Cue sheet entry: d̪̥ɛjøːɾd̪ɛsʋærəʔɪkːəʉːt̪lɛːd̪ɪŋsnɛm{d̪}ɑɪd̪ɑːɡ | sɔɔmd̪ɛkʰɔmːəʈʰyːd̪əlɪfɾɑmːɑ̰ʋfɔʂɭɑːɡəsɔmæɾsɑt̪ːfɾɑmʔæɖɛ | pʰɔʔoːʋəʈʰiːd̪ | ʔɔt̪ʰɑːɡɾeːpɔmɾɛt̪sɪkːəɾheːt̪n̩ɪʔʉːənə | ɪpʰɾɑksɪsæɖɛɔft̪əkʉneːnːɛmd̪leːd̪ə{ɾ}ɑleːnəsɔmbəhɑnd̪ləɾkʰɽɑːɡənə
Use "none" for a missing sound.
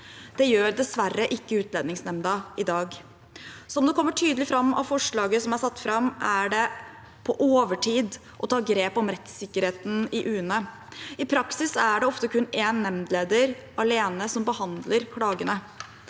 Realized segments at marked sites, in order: d̪, ɾ

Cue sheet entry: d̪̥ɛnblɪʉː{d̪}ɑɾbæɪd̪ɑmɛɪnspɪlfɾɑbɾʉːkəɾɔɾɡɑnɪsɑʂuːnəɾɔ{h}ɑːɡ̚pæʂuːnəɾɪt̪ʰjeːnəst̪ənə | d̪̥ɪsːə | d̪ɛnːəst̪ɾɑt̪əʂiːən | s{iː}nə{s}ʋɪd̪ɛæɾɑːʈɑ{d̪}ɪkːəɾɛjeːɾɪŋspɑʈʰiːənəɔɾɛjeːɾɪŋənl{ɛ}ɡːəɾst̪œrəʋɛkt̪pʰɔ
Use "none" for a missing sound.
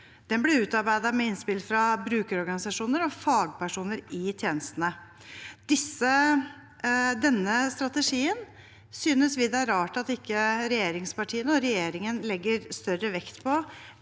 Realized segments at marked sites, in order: t̪, f, yː, s, t̪, ɛ

